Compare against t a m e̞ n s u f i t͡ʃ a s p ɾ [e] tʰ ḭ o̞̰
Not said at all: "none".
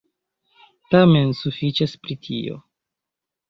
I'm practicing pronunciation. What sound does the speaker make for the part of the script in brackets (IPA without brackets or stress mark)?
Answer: i